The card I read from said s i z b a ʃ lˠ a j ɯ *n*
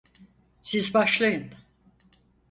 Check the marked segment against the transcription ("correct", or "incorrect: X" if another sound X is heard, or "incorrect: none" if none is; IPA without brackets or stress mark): correct